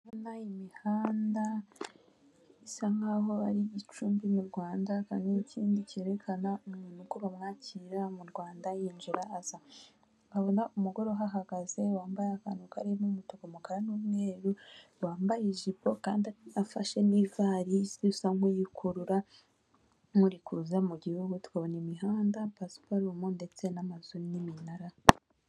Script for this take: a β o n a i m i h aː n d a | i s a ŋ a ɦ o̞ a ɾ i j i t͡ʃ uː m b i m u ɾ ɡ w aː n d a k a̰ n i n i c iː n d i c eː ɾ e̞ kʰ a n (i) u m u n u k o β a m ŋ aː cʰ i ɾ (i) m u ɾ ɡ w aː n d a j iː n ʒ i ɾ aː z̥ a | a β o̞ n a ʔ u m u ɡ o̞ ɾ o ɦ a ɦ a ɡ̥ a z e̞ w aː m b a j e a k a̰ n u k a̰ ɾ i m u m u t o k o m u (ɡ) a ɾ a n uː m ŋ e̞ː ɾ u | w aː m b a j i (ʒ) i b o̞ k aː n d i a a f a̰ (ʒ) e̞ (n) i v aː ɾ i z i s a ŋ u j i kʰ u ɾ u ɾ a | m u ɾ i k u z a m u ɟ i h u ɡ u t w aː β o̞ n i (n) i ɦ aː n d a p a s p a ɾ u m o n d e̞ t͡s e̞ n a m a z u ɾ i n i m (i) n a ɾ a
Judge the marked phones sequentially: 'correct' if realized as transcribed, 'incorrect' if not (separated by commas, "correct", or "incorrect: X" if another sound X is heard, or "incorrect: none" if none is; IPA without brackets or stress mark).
incorrect: a, incorrect: a, incorrect: k, correct, incorrect: ʃ, correct, incorrect: m, correct